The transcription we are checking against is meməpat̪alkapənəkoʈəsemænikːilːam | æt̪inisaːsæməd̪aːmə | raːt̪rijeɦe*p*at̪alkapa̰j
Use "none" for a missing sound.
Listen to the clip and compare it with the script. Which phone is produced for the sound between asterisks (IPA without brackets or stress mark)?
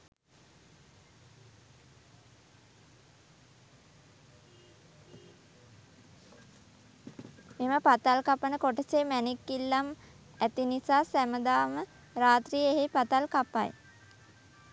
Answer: p